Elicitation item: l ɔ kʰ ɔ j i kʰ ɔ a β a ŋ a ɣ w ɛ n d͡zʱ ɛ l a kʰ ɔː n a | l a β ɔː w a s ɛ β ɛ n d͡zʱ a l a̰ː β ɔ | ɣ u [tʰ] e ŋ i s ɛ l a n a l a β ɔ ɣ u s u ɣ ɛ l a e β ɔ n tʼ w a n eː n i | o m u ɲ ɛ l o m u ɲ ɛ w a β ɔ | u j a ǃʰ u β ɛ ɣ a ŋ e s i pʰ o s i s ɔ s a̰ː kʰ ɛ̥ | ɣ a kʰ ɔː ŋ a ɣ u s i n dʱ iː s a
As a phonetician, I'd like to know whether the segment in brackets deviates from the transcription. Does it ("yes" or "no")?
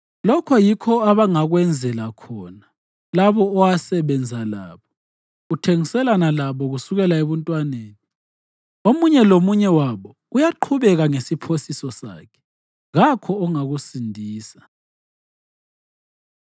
no